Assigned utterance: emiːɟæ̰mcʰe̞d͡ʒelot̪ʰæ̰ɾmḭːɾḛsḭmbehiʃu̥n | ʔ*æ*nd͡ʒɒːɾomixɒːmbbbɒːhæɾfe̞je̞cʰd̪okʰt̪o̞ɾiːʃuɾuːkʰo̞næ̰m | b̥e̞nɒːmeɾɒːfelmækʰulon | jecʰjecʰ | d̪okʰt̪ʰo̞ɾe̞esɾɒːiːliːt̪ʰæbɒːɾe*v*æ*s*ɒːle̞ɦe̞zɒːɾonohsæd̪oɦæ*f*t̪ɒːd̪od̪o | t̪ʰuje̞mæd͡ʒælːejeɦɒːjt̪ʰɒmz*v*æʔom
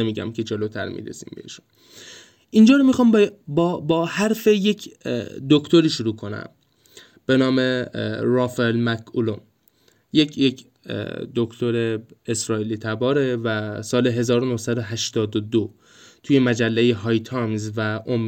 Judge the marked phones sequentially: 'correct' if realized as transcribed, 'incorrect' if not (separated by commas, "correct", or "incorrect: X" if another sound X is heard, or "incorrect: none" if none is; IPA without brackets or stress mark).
incorrect: i, correct, correct, incorrect: ʃ, correct